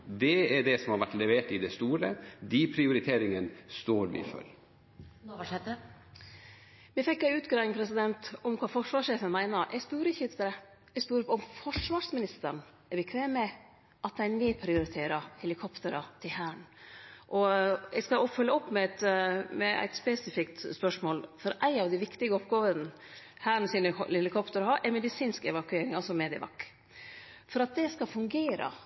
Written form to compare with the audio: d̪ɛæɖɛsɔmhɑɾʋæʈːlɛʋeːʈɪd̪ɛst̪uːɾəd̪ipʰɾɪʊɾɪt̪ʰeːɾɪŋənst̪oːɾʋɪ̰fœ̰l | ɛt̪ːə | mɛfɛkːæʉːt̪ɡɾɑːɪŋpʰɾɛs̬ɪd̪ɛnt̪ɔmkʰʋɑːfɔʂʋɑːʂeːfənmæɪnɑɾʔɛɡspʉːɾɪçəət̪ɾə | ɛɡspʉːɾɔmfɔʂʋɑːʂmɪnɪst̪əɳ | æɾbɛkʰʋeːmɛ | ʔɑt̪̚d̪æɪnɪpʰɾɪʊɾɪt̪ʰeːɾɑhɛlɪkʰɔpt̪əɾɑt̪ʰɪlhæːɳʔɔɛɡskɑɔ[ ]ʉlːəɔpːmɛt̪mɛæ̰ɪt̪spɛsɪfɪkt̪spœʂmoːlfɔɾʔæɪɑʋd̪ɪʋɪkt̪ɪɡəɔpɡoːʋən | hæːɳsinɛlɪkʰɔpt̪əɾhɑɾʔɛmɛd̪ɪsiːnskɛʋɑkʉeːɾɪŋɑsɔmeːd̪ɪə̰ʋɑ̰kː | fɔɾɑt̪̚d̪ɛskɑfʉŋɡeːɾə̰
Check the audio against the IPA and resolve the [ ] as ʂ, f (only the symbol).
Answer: f